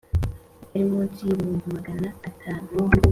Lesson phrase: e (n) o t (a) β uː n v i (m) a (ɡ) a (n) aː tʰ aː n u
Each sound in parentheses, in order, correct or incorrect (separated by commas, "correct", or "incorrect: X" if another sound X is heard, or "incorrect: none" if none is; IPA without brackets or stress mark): incorrect: m, incorrect: i, correct, correct, correct